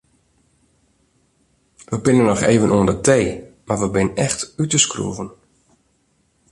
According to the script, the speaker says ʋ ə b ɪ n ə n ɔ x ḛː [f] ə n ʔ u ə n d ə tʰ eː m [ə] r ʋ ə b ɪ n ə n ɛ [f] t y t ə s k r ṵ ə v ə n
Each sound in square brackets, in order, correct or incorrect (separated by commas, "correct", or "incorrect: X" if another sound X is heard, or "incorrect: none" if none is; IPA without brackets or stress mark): incorrect: v, incorrect: a, incorrect: x